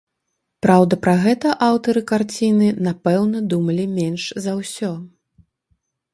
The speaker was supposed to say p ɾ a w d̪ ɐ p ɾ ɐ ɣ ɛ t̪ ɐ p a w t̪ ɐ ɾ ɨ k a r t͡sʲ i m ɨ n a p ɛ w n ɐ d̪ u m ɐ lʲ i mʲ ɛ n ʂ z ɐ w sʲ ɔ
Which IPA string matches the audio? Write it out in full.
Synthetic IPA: p ɾ a w d̪ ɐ p ɾ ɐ ɣ ɛ t̪ ɐ ʔ a w t̪ ɐ ɾ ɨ k a r t͡sʲ i n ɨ n a p ɛ w n ɐ d̪ u m ɐ lʲ i mʲ ɛ n ʂ z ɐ w sʲ ɔ